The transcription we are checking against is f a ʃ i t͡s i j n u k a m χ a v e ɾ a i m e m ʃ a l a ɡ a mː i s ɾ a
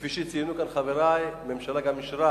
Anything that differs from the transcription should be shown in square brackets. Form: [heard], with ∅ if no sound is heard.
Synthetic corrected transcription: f [i] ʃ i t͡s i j n u k a [n] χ a v e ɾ a [j] m e m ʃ a l a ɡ a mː i [ʃ] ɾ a